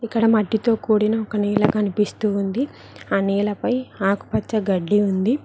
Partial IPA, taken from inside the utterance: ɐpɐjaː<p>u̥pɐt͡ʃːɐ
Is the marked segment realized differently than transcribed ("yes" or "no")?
yes